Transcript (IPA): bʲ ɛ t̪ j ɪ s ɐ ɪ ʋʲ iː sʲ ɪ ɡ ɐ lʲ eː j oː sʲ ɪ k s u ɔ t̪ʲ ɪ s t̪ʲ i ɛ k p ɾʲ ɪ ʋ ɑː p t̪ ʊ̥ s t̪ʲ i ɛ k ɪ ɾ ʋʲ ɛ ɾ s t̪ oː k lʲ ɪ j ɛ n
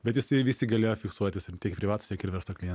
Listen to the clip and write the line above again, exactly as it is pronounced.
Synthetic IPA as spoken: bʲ ɛ t̪ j ɪ s ɐ ɪ ʋʲ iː sʲ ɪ ɡ ɐ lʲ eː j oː fʲ ɪ k s u ɔ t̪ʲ ɪ s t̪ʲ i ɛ k p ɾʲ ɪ ʋ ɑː t̪ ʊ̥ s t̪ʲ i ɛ k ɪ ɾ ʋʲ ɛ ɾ s t̪ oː k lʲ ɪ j ɛ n

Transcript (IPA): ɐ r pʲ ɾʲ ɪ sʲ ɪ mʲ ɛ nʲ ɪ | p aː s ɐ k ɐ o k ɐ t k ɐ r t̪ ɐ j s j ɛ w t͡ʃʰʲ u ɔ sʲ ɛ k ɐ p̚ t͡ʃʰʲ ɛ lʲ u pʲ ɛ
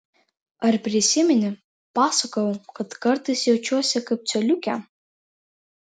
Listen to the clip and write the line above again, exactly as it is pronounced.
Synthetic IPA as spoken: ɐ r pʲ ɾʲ ɪ sʲ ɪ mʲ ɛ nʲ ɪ | p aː s ɐ k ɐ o k ɐ t k ɐ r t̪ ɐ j s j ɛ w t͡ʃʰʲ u ɔ sʲ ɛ k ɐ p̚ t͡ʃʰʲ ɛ lʲ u kʲ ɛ

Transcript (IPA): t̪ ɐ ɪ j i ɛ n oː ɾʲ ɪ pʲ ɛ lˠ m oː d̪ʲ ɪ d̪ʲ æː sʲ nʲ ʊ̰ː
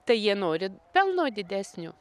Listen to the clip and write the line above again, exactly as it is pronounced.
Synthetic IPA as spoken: t̪ ɐ ɪ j i ɛ n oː ɾʲ ɪ pʲ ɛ lˠ n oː d̪ʲ ɪ d̪ʲ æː sʲ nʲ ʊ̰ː

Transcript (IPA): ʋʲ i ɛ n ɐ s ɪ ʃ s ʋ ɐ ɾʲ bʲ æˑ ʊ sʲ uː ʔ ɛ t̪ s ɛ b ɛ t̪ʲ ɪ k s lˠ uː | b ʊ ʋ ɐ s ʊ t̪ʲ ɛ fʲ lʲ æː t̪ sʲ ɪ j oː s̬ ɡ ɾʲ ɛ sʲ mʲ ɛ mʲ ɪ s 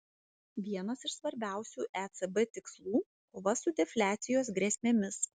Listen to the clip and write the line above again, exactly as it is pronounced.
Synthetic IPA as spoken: ʋʲ i ɛ n ɐ s ɪ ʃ s ʋ ɐ ɾʲ bʲ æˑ ʊ sʲ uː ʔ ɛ t̪ s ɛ b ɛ t̪ʲ ɪ k s lˠ uː | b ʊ ʋ ɐ s ʊ d̪ʲ ɛ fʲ lʲ æː t̪ sʲ ɪ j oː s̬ ɡ ɾʲ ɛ sʲ mʲ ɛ mʲ ɪ s

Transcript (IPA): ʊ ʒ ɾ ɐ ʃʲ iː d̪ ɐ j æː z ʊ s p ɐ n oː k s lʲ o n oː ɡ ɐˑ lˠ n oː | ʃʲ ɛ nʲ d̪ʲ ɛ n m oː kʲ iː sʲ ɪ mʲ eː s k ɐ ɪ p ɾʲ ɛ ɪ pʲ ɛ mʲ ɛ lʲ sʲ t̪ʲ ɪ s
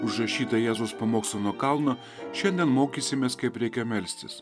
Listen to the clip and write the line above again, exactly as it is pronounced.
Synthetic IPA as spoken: ʊ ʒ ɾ ɐ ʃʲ iː t̪ ɐ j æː z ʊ s p ɐ m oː k s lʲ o n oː k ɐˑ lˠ n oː | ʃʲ ɛ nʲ d̪ʲ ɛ n m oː kʲ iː sʲ ɪ mʲ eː s k ɐ ɪ p ɾʲ ɛ ɪ kʲ ɛ mʲ ɛ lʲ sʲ t̪ʲ ɪ s

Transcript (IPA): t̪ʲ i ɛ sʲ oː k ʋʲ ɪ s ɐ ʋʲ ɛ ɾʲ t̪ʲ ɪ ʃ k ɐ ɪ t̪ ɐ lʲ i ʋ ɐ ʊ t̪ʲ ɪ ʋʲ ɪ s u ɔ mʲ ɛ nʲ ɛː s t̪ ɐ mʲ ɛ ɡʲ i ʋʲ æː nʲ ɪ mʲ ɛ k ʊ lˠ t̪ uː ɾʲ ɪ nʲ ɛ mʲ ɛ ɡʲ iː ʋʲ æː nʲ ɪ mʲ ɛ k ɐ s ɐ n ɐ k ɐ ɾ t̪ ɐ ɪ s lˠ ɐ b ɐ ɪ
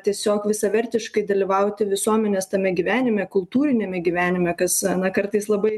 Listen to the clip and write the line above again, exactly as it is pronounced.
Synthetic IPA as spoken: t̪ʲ i ɛ sʲ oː k ʋʲ ɪ s ɐ ʋʲ ɛ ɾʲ t̪ʲ ɪ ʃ k ɐ ɪ d̪ ɐ lʲ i ʋ ɐ ʊ t̪ʲ ɪ ʋʲ ɪ s u ɔ mʲ ɛ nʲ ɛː s t̪ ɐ mʲ ɛ ɡʲ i ʋʲ æː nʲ ɪ mʲ ɛ k ʊ lˠ t̪ uː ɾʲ ɪ nʲ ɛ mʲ ɛ ɡʲ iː ʋʲ æː nʲ ɪ mʲ ɛ k ɐ s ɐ n ɐ k ɐ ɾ t̪ ɐ ɪ s lˠ ɐ b ɐ ɪ

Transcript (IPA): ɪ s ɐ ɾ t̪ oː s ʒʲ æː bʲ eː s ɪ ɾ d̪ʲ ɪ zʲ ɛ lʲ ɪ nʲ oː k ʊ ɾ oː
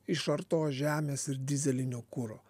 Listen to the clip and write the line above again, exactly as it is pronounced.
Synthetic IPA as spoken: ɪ ʃ ɐ ɾ t̪ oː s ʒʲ æː mʲ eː s ɪ ɾ d̪ʲ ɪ zʲ ɛ lʲ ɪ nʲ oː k ʊ ɾ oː

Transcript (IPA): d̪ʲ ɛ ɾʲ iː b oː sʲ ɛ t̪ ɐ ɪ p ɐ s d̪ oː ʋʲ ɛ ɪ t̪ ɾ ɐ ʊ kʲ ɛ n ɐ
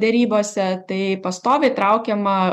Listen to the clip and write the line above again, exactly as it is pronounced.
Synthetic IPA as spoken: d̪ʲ ɛ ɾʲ iː b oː sʲ ɛ t̪ ɐ ɪ p ɐ s t̪ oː ʋʲ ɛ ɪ t̪ ɾ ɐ ʊ kʲ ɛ m ɐ

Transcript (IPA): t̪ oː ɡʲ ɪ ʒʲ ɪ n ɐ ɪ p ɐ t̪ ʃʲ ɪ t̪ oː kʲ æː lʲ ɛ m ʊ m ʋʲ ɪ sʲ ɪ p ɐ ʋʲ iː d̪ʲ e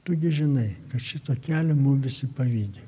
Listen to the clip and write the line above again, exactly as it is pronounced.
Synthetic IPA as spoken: t̪ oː ɡʲ ɪ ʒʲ ɪ n ɐ ɪ k ɐ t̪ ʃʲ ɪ t̪ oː kʲ æː lʲ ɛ m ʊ m ʋʲ ɪ sʲ ɪ p ɐ ʋʲ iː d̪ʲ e

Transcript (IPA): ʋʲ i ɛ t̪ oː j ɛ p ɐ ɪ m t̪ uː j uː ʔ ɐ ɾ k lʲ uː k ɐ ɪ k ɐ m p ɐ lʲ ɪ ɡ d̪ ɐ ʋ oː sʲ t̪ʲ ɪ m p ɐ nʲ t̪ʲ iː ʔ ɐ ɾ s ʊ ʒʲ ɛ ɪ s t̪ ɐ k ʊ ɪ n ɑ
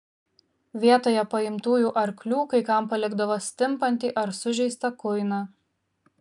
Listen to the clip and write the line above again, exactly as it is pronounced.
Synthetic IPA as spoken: ʋʲ i ɛ t̪ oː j ɛ p ɐ ɪ m t̪ uː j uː ʔ ɐ ɾ k lʲ uː k ɐ ɪ k ɐ m p ɐ lʲ ɪ ɡ d̪ ɐ ʋ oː sʲ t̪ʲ ɪ m p ɐ nʲ t̪ʲ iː ʔ ɐ ɾ s ʊ ʒʲ ɛ ɪ s t̪ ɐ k ʊ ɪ n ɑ

